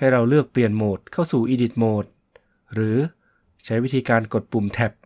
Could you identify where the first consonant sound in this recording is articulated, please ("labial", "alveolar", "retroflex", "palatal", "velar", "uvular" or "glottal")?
glottal